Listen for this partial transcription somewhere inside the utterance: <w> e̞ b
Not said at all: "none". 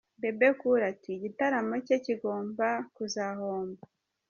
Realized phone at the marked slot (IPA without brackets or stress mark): b